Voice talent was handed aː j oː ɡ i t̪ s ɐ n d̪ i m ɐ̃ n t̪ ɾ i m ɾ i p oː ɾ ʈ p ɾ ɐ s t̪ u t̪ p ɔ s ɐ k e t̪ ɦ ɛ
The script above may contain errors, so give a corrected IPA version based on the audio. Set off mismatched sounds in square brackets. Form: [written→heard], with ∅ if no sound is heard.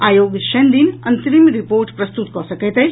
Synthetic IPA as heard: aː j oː ɡ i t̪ [s→ʃ] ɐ n d̪ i [m→n] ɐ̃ n t̪ ɾ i m ɾ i p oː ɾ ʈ p ɾ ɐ s t̪ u t̪ [p→k] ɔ s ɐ k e t̪ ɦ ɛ